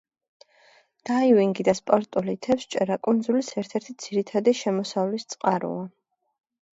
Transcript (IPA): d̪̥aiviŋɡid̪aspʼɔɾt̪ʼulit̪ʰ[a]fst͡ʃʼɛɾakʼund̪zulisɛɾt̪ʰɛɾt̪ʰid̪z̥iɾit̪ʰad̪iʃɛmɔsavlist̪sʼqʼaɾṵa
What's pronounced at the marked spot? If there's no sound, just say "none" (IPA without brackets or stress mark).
ɛ